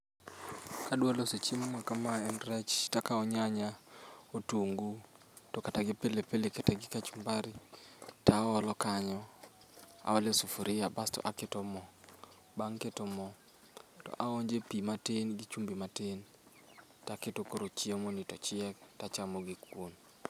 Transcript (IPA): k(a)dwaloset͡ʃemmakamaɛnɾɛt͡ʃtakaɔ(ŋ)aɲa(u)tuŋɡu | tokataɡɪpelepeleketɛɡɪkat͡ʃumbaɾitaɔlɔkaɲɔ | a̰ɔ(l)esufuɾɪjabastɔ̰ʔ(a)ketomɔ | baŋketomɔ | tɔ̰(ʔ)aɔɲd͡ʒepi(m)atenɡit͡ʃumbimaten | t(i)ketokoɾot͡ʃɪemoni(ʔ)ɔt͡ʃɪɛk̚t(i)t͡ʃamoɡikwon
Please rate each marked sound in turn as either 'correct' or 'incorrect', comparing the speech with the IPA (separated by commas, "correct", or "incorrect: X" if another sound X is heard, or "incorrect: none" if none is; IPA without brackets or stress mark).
correct, incorrect: ɲ, incorrect: o, correct, correct, correct, correct, incorrect: a, incorrect: t, incorrect: a